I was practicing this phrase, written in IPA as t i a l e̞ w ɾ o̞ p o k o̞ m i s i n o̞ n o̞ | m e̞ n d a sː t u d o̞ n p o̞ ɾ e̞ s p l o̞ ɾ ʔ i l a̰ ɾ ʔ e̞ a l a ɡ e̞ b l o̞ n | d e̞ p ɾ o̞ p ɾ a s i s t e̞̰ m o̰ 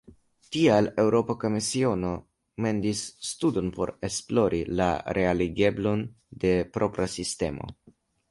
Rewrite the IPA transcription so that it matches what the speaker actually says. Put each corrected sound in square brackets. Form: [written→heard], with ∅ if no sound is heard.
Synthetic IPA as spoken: t i a l e̞ w ɾ o̞ p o k o̞ m i s i [n→∅] o̞ n o̞ | m e̞ n d [a→i] sː t u d o̞ n p o̞ ɾ e̞ s p l o̞ ɾ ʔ i l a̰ ɾ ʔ e̞ a l [a→i] ɡ e̞ b l o̞ n | d e̞ p ɾ o̞ p ɾ a s i s t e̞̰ m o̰